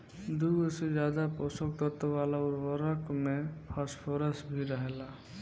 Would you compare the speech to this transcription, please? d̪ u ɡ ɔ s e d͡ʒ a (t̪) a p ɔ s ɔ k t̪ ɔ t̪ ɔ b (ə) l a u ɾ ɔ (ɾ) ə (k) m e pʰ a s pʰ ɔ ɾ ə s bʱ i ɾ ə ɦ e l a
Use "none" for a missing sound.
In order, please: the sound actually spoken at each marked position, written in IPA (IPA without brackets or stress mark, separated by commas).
d̪, a, ɾ, k